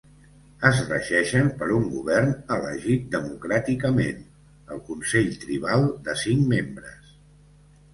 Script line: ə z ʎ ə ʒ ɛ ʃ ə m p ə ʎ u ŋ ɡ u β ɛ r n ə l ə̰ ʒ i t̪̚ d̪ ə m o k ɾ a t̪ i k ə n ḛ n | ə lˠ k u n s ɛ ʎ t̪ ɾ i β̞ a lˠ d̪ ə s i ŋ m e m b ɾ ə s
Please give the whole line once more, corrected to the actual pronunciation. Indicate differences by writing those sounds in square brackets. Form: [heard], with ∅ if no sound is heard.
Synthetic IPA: ə z [r] ə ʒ ɛ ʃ ə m p ə [ɾ] u ŋ ɡ u β ɛ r n ə l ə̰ ʒ i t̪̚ d̪ ə m [u] k ɾ a t̪ i k ə [m] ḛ n | ə lˠ k u n s ɛ ʎ t̪ ɾ i β̞ a lˠ d̪ ə s i ŋ m e m b ɾ ə s